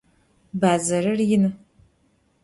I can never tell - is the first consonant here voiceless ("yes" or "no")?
no